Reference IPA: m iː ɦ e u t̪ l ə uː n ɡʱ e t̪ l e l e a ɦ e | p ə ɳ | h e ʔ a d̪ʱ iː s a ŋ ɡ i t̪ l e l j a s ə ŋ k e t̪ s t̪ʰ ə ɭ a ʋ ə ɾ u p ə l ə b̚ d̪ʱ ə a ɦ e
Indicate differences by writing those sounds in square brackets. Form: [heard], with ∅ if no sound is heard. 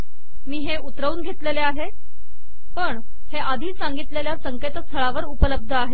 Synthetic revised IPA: m iː ɦ e u t̪ [ɾ] ə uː n ɡʱ e t̪ l e l e a ɦ e | p ə ɳ | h e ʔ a d̪ʱ iː s a ŋ ɡ i t̪ l e l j a s ə ŋ k e t̪ s t̪ʰ ə ɭ a ʋ ə ɾ u p ə l ə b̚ d̪ʱ ə a ɦ e